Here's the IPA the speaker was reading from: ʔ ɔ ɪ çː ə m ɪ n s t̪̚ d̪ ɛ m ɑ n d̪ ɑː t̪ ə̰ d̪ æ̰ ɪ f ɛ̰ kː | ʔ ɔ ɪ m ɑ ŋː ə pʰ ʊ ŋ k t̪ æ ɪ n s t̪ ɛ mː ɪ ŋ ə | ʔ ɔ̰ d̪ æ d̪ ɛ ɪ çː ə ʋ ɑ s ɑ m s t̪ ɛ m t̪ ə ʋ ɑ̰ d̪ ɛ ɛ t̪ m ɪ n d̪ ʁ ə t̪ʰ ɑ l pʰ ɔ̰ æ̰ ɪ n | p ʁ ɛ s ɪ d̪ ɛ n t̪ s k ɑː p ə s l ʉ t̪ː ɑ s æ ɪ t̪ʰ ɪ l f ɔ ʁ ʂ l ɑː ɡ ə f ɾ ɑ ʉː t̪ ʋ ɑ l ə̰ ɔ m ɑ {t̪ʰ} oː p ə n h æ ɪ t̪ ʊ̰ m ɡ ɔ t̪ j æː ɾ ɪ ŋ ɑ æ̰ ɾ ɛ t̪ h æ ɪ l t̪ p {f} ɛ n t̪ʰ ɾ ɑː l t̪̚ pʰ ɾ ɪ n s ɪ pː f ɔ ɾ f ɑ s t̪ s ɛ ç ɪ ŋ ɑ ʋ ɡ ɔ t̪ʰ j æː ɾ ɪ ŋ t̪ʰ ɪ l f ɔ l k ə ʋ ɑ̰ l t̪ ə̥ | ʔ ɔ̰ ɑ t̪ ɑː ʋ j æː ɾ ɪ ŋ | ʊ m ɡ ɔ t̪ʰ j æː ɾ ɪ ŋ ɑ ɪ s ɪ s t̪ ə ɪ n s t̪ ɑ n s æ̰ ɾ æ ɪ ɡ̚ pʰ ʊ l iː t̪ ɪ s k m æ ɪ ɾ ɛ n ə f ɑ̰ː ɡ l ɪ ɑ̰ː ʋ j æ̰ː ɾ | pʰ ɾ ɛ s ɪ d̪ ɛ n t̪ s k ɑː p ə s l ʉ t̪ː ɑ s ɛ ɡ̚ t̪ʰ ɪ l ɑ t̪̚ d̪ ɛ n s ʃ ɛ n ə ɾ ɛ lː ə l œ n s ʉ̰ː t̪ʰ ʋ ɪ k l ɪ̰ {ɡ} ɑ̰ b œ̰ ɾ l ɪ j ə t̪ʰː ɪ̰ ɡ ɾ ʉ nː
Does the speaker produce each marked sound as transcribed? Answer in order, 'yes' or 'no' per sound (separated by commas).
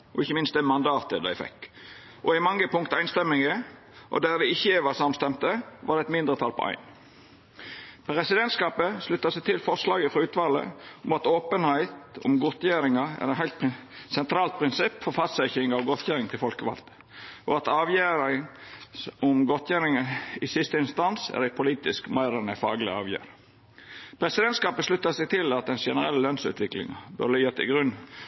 no, no, no